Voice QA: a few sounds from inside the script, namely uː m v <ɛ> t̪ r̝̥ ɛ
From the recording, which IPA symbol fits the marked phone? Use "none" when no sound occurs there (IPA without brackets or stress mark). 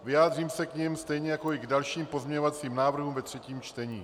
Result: ɛ